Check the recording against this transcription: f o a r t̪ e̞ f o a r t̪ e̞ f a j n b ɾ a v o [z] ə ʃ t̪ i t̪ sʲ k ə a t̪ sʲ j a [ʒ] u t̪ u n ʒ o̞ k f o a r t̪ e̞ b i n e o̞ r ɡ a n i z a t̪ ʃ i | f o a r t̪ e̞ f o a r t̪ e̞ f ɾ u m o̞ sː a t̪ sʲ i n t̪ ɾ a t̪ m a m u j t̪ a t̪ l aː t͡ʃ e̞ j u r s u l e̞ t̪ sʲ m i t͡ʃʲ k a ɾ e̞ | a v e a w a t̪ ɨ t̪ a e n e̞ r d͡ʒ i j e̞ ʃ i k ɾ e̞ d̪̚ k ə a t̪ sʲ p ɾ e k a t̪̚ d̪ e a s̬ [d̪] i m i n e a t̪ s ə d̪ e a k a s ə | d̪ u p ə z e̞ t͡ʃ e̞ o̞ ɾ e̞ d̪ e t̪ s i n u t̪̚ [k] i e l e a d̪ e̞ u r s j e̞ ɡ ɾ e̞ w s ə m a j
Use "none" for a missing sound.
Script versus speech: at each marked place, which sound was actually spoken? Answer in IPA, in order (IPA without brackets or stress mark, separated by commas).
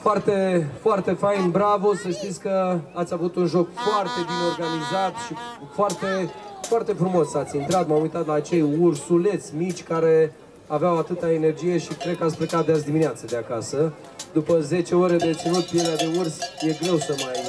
s, v, d̪, p